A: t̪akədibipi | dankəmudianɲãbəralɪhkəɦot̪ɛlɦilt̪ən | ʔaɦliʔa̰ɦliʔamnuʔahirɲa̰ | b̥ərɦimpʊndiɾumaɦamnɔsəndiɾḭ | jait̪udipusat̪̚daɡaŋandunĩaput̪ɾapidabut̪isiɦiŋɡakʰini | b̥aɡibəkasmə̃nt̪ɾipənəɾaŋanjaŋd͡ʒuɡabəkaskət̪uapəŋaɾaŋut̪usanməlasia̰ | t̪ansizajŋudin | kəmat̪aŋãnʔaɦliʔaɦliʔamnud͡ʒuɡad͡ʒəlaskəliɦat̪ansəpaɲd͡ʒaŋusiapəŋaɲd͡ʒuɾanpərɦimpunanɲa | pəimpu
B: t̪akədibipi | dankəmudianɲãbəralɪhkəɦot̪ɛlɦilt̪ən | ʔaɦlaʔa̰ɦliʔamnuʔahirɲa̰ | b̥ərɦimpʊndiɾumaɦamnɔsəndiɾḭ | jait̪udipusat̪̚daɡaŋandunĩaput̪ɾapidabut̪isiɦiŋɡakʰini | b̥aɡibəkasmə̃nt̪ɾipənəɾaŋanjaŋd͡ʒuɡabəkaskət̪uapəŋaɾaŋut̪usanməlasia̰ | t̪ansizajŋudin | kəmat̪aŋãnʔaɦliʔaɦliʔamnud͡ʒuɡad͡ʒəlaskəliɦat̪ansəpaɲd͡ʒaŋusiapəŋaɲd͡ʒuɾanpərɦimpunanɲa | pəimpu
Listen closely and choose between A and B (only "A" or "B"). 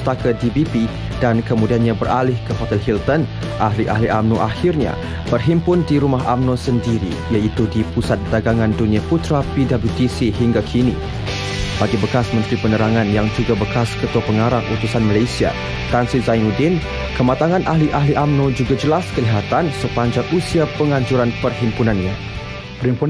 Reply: A